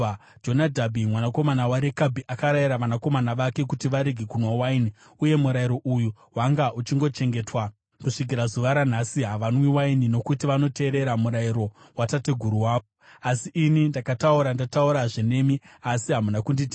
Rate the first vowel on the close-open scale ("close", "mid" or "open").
mid